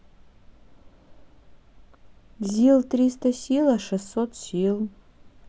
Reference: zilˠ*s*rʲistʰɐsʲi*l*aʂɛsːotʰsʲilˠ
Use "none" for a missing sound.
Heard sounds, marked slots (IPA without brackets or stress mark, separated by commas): t, l